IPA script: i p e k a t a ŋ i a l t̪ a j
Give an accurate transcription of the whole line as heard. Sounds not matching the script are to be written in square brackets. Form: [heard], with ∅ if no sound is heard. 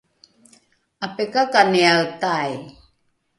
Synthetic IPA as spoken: [a] p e k a [k] a [n] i a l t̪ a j